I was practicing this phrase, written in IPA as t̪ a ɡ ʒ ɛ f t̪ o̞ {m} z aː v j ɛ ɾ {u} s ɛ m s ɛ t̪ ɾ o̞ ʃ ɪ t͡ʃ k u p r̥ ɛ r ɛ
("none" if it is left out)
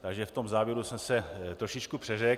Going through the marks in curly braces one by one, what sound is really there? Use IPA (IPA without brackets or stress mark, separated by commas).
m, u